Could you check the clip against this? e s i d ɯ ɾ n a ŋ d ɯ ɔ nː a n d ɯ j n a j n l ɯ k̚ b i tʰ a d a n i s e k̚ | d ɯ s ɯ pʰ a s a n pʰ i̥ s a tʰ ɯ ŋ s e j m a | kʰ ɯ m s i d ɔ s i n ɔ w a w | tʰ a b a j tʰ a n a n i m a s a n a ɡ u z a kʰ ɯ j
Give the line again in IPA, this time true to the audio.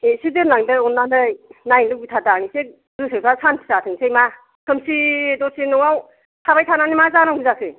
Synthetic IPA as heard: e s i d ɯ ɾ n a ŋ d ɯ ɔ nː a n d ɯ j n a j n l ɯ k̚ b i tʰ a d a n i s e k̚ | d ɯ s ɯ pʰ a s a n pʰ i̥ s a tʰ ɯ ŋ s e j m a | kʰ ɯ m s i d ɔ s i n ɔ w a w | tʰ a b a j tʰ a n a n i m a z a n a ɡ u z a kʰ ɯ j

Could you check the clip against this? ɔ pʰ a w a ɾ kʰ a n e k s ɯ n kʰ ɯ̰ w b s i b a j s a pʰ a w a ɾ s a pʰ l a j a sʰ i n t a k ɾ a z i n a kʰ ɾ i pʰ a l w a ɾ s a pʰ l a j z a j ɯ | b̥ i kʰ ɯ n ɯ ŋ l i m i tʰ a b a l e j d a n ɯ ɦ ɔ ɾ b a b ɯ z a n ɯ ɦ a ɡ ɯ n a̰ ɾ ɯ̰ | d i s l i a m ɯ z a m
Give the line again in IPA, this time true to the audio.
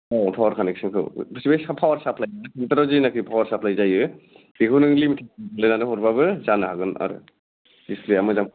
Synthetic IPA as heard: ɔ pʰ a w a ɾ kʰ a n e k s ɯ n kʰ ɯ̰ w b s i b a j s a pʰ a w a ɾ s a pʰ l a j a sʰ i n t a ɾ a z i n a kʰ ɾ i pʰ a w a ɾ s a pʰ l a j z a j ɯ | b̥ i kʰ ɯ n ɯ ŋ l i m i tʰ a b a l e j n a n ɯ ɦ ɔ ɾ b a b ɯ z a n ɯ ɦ a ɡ ɯ n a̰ ɾ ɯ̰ | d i s l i a m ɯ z a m

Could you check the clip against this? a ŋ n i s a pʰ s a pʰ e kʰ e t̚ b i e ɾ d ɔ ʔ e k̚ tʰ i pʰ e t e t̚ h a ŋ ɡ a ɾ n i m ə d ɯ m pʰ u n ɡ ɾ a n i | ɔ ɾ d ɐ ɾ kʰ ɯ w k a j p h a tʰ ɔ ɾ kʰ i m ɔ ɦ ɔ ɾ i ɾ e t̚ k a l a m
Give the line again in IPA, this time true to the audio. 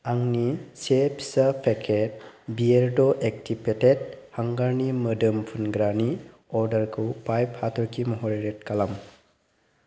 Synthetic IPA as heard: a ŋ n i s e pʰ s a pʰ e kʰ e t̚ b i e ɾ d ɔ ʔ e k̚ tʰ i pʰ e t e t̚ h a ŋ ɡ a ɾ n i m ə d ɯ m pʰ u n ɡ ɾ a n i | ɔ ɾ d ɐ ɾ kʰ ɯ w p a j p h a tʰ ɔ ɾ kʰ i m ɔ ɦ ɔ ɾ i ɾ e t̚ k a l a m

